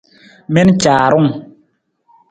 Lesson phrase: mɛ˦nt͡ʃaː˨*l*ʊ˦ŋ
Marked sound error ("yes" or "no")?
yes